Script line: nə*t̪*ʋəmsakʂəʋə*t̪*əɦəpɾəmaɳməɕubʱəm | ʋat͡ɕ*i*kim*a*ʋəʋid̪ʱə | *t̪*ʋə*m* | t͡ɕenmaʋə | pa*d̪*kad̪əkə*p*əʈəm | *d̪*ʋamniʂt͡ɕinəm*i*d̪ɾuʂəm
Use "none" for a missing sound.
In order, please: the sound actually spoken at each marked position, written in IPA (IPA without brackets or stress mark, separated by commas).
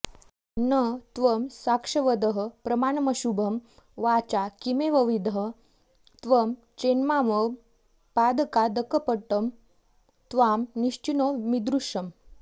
t̪, d̪, a, e, t̪, m, d̪, p, t̪, i